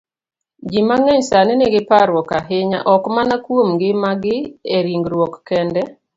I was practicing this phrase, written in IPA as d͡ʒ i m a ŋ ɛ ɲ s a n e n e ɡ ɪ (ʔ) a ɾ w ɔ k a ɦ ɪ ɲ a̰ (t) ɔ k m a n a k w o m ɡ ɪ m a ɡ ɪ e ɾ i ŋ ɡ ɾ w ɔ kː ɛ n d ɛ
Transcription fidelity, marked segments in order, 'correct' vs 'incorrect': incorrect: p, incorrect: ʔ

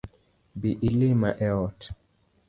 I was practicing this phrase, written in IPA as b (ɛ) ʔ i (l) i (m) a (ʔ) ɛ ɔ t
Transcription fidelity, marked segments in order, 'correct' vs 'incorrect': incorrect: i, correct, correct, correct

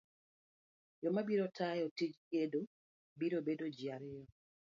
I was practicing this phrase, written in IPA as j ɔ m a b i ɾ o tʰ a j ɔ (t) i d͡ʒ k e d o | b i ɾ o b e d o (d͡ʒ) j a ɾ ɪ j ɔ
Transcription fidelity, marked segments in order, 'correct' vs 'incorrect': correct, correct

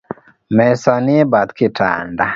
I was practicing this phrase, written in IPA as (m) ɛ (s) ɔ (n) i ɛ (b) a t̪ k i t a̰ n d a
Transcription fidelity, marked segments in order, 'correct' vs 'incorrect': correct, correct, correct, correct

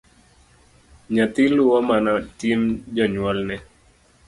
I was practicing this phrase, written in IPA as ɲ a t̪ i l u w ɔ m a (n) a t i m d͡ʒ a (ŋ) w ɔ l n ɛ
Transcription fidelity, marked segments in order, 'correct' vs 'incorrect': correct, incorrect: ɲ

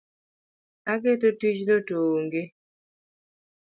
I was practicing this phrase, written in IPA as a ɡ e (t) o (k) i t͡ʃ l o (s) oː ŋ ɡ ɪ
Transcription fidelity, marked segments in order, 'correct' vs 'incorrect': correct, incorrect: t, incorrect: t

